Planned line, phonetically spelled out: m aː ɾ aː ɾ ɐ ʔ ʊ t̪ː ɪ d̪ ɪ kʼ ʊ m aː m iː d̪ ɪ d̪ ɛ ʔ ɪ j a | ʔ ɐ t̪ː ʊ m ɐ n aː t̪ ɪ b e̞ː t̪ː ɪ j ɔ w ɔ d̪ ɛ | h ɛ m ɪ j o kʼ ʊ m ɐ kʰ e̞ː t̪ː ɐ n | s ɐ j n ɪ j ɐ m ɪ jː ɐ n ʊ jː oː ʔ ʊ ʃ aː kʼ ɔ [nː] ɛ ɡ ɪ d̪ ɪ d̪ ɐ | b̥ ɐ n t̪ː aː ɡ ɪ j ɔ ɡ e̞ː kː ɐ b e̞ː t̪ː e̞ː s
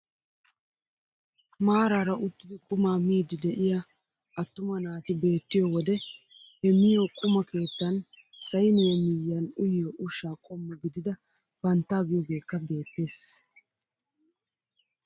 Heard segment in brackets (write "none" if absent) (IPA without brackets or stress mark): mː